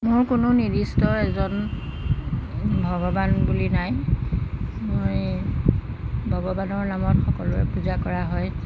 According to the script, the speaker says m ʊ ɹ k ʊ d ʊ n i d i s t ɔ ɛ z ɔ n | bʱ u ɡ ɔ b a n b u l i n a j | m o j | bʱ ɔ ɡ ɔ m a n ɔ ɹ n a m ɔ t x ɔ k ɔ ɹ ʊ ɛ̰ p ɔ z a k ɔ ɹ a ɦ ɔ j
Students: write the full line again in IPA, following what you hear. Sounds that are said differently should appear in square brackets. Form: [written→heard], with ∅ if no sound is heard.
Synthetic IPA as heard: m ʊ ɹ k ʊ [d→n] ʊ n i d i s t ɔ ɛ z ɔ n | bʱ [u→ɔ] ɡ ɔ b a n b u l i n a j | m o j | bʱ ɔ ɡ ɔ [m→b] a n ɔ ɹ n a m ɔ t x ɔ k ɔ [ɹ→l] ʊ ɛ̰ p [ɔ→u] z a k ɔ ɹ a ɦ ɔ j